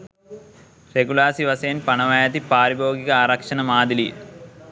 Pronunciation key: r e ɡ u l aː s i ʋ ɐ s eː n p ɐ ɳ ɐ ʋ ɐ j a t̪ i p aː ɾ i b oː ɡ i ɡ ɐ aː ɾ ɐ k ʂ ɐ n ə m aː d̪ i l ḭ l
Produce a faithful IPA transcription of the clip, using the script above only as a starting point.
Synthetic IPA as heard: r e ɡ u l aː s i ʋ ɐ s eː n p ɐ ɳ ɐ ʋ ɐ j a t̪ i p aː ɾ i b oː ɡ i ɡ ɐ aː ɾ ɐ k ʂ ɐ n ɐ m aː d̪ i l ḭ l